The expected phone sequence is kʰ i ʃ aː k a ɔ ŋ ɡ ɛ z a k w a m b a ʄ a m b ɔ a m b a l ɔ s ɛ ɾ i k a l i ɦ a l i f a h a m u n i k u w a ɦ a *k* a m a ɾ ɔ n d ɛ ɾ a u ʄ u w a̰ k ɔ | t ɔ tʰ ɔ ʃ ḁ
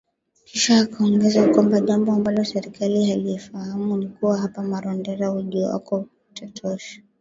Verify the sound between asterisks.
incorrect: p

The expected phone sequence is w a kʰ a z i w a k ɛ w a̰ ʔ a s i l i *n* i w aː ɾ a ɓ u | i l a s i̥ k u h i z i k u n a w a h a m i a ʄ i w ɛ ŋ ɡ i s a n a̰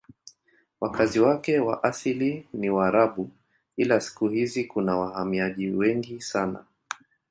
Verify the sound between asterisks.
correct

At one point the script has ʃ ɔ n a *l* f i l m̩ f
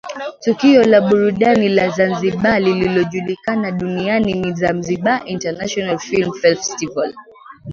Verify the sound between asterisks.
correct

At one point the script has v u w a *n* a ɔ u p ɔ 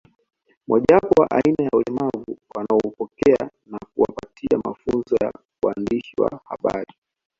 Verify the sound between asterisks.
correct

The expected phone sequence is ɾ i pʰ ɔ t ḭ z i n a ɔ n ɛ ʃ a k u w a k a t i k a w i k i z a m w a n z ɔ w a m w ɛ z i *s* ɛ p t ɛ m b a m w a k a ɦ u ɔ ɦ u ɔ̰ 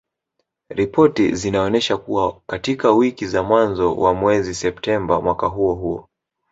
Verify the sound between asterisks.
correct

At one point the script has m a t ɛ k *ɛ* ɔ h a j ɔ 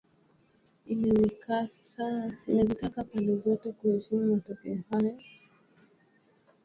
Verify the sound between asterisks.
correct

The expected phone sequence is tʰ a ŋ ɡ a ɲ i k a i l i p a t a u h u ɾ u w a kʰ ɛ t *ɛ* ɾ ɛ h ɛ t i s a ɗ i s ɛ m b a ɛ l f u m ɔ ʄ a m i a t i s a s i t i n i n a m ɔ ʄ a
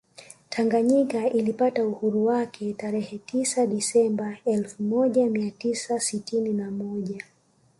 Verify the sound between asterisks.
incorrect: a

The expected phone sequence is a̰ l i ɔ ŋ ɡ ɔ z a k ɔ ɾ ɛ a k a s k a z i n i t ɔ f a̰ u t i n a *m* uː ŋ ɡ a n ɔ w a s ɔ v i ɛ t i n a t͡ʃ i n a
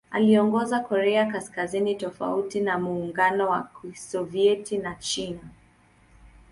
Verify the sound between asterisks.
correct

